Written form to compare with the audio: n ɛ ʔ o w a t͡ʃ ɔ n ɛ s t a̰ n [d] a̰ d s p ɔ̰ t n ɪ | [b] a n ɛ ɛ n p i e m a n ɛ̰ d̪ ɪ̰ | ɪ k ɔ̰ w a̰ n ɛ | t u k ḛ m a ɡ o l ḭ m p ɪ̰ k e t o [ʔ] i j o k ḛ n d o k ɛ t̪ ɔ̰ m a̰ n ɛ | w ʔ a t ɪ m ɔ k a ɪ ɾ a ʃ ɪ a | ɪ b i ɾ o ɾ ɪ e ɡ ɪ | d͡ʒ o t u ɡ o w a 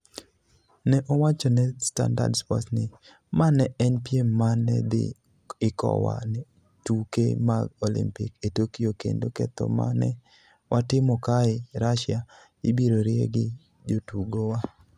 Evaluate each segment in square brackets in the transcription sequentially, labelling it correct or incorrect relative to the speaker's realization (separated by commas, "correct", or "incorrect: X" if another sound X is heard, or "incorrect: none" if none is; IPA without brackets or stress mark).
correct, incorrect: m, incorrect: k